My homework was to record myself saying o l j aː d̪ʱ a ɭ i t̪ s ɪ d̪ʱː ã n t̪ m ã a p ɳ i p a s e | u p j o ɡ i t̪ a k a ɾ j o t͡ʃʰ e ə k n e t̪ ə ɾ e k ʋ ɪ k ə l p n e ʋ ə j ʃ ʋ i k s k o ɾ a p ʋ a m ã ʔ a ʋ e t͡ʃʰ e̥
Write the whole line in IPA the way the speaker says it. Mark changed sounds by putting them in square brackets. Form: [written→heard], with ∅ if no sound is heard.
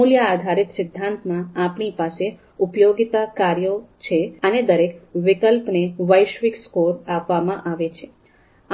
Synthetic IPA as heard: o l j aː d̪ʱ a [ɭ→ɾ] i t̪ s ɪ d̪ʱː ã n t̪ m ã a p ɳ i p a s e | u p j o ɡ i t̪ a k a ɾ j o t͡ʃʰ e ə [k→∅] n e [t̪→d̪] ə ɾ e k ʋ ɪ k ə l p n e ʋ ə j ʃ ʋ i k s k o ɾ a p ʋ a m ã ʔ a ʋ e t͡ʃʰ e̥